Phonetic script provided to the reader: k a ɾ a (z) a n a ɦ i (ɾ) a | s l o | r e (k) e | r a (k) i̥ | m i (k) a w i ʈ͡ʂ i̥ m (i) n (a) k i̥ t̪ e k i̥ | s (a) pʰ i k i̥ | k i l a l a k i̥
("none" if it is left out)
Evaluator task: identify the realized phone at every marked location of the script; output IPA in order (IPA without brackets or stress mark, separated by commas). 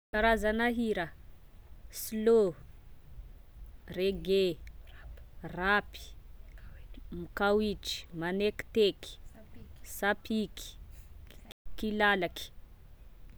z, ɾ, ɡ, p, k, a, e, a